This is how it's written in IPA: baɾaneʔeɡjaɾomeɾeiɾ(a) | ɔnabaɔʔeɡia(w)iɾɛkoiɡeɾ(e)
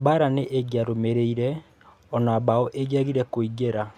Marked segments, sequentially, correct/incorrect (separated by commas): incorrect, incorrect, incorrect